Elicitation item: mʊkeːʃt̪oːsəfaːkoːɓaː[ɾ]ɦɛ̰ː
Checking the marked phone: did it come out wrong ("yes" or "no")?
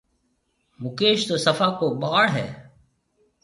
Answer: yes